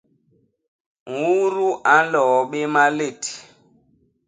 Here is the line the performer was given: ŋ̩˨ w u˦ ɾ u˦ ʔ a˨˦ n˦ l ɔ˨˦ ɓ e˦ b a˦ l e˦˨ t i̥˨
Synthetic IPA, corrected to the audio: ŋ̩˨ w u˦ ɾ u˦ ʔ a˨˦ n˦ l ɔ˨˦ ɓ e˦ m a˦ l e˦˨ t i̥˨